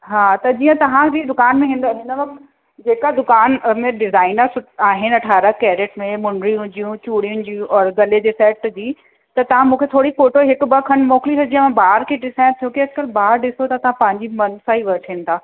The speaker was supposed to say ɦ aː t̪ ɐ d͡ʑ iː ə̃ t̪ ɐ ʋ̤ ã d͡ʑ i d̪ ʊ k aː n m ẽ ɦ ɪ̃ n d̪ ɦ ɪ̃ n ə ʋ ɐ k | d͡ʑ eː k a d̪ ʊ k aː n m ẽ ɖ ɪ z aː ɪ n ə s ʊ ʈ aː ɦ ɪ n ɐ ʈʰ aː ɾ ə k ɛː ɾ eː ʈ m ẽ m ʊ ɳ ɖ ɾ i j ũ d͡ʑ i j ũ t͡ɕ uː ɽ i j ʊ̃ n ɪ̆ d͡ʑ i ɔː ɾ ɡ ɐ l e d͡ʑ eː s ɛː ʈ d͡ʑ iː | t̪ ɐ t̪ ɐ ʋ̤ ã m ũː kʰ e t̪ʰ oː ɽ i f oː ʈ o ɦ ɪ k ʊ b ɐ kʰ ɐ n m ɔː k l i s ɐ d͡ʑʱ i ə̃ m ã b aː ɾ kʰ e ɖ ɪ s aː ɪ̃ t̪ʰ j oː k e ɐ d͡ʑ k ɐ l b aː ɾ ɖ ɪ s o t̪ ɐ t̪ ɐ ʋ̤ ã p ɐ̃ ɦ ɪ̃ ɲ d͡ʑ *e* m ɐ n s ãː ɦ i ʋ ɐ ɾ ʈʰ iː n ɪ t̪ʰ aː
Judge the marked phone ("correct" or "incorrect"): incorrect